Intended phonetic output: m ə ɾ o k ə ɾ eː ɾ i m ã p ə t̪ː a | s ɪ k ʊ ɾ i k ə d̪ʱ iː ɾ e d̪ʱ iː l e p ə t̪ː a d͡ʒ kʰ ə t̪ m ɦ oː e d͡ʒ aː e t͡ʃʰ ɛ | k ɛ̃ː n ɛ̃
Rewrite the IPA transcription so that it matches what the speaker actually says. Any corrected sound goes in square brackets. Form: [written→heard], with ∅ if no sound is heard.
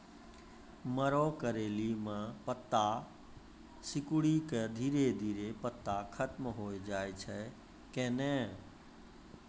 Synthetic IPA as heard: m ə ɾ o k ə ɾ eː [ɾ→l] i m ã p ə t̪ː a | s ɪ k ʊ [ɾ→ɽ] i k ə d̪ʱ iː ɾ e d̪ʱ iː [l→ɾ] e p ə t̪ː a [d͡ʒ→∅] kʰ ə t̪ m ɦ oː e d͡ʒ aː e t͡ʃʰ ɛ | k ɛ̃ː n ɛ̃